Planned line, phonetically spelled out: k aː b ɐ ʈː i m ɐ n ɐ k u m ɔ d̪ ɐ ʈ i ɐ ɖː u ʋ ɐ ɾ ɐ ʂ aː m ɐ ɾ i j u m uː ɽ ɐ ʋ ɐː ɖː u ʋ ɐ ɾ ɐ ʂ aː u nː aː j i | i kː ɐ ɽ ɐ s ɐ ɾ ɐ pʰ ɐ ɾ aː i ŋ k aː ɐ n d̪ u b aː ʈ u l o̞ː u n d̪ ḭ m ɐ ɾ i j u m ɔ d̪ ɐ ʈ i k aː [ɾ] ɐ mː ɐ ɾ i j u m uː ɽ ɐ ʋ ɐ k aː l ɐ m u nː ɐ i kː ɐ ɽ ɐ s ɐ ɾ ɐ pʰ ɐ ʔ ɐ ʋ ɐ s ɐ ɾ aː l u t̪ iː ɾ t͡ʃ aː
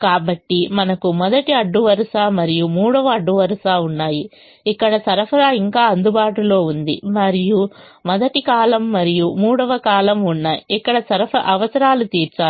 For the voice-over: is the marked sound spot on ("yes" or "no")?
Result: no